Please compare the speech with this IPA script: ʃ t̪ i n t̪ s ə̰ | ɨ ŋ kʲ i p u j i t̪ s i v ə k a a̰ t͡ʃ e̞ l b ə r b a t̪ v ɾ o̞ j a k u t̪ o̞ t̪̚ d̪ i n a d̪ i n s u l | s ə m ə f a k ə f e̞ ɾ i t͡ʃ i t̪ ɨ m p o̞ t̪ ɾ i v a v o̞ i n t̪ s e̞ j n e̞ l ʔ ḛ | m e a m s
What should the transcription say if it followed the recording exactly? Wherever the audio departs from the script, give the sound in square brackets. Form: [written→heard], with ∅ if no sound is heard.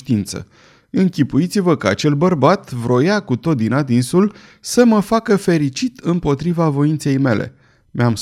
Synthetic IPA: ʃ t̪ i n t̪ s ə̰ | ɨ ŋ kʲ i p u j i t̪ s i v ə k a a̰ t͡ʃ e̞ l b ə r b a t̪ v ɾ o̞ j a k u t̪ o̞ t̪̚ d̪ i n a d̪ i n s u l | s ə m ə f a k ə f e̞ ɾ i t͡ʃ i t̪ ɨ m p o̞ t̪ ɾ i v a v o̞ i n t̪ s e̞ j [n→m] e̞ l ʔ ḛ | m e a m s